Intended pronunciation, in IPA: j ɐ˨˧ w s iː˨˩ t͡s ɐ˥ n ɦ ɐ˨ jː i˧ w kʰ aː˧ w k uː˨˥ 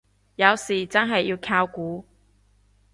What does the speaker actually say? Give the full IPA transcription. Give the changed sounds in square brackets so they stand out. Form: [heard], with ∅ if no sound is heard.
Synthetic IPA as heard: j ɐ˨˧ w s iː˨˩ t͡s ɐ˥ n ɦ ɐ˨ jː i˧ w kʰ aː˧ w k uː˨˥